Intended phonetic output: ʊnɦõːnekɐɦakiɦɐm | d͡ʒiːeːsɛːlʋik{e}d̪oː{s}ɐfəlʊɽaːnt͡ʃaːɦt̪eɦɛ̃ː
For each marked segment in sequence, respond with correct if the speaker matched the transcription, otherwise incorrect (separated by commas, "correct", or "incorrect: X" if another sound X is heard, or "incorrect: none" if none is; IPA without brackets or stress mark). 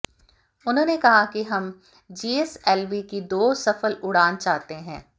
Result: incorrect: i, correct